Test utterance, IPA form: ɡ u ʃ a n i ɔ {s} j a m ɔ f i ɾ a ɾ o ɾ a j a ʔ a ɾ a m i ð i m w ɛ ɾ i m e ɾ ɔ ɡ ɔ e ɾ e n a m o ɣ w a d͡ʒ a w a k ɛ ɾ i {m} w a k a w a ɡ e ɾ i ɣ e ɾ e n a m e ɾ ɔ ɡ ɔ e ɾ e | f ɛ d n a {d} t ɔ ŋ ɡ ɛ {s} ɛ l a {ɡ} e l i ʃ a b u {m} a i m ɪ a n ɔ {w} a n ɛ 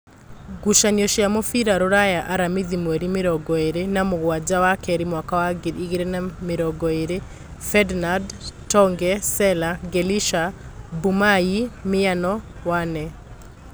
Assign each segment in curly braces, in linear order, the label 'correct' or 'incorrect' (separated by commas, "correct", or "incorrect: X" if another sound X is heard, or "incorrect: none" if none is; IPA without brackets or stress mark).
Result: incorrect: ʃ, correct, correct, correct, correct, correct, correct